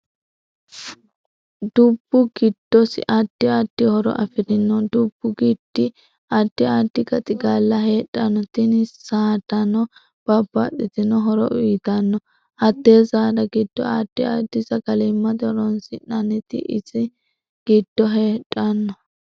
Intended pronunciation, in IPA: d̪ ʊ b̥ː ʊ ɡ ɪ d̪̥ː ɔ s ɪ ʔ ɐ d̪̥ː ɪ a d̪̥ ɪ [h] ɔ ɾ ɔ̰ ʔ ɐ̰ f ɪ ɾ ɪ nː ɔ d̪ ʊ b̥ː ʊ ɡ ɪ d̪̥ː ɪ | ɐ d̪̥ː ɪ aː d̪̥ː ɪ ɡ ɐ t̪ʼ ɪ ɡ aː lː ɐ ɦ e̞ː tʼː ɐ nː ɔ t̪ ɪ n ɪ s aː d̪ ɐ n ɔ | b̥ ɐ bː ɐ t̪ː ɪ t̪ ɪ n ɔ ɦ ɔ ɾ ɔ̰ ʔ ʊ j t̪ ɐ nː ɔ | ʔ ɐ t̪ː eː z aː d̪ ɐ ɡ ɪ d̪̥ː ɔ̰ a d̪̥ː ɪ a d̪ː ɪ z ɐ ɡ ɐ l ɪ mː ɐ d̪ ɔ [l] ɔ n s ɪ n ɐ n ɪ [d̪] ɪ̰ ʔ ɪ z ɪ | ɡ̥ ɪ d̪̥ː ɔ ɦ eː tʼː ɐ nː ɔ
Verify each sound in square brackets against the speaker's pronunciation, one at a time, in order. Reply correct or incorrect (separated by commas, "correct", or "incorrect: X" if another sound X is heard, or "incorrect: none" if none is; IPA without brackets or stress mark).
correct, incorrect: ɾ, incorrect: t̪